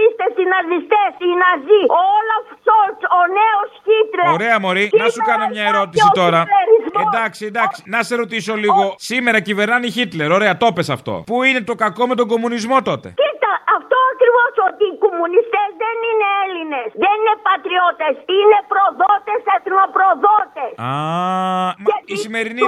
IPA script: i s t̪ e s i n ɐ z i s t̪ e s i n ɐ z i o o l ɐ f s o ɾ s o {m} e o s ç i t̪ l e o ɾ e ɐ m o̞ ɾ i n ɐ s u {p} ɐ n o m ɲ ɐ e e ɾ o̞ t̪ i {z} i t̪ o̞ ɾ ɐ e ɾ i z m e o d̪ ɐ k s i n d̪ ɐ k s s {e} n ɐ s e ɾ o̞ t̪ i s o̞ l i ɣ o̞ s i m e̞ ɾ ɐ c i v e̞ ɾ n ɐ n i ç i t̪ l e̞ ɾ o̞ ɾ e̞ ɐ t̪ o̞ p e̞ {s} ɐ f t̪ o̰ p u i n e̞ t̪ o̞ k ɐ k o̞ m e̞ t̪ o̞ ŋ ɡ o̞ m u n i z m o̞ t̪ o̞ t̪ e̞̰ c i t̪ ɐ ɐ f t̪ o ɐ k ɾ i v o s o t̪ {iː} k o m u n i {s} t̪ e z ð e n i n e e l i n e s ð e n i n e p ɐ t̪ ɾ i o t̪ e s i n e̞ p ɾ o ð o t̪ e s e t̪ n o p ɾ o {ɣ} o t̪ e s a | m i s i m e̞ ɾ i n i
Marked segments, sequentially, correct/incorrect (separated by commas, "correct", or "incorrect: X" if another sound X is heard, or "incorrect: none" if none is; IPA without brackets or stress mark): incorrect: n, incorrect: k, incorrect: s, incorrect: i, correct, correct, correct, incorrect: ð